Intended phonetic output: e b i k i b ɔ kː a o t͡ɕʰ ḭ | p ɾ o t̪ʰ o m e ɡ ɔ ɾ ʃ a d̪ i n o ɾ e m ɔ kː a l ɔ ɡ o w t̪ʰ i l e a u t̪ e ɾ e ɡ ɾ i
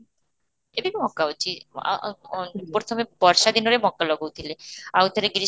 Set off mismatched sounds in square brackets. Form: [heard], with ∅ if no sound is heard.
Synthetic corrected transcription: e b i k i [m] ɔ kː a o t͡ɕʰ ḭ | p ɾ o t̪ʰ o m e [b] ɔ ɾ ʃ a d̪ i n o ɾ e m ɔ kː a l ɔ ɡ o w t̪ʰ i l e a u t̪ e ɾ e ɡ ɾ i